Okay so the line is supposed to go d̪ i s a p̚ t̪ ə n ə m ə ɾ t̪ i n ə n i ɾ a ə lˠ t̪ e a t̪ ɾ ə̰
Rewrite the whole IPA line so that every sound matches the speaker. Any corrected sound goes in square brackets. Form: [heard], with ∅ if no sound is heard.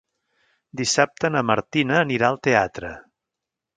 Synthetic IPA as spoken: d̪ i s a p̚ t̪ ə n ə m ə ɾ t̪ i n [əː] n i ɾ a ə lˠ t̪ e a t̪ ɾ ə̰